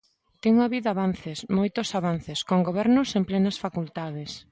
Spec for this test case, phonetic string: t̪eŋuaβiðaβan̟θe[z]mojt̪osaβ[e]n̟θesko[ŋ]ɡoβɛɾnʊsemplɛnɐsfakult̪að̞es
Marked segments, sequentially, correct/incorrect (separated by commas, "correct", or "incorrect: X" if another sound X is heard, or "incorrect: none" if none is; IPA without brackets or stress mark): incorrect: s, incorrect: a, correct